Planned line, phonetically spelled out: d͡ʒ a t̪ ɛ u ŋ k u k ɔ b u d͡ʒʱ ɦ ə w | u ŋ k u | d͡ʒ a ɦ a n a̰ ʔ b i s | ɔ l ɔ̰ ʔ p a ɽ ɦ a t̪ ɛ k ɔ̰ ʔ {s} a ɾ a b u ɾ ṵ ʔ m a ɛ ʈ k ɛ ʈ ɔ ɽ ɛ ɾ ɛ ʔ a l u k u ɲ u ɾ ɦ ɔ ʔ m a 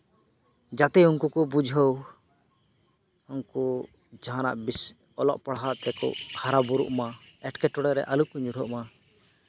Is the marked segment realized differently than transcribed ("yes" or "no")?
yes